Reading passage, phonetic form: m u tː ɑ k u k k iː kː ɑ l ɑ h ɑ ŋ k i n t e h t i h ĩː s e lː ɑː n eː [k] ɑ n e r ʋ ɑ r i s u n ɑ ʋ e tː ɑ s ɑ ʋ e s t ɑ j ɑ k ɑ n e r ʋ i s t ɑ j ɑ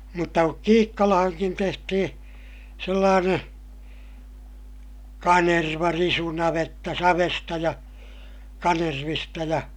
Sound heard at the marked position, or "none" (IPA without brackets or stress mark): k